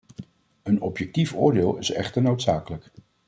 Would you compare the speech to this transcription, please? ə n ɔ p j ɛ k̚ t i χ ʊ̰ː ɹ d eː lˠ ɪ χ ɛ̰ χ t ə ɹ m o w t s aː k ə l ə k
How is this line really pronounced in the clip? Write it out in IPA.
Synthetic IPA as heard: ə n ɔ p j ɛ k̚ t i f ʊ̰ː ɹ d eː lˠ ɪ s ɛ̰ χ t ə ɹ n o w t s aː k ə l ə k